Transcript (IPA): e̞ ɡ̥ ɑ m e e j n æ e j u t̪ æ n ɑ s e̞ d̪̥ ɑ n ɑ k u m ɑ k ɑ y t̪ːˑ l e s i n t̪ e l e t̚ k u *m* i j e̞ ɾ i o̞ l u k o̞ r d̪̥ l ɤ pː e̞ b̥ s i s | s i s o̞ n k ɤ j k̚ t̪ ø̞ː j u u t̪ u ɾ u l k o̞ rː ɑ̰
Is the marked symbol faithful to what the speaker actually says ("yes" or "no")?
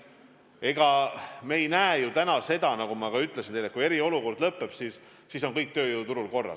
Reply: no